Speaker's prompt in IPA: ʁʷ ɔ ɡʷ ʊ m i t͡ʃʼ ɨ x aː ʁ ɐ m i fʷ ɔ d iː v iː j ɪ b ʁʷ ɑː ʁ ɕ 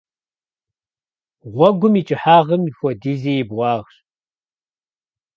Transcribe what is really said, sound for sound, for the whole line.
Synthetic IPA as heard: ʁʷ ɔ ɡʷ ʊ m i t͡ʃʼ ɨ ħ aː ʁ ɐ m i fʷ ɔ d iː z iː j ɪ b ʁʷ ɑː ʁ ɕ